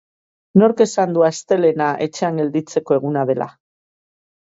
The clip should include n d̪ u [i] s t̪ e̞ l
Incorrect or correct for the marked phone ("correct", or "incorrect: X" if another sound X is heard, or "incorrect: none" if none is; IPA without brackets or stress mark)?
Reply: incorrect: a